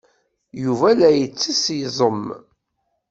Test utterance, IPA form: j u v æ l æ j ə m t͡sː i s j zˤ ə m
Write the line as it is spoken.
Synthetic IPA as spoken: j u v æ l æ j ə t͡sː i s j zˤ ə m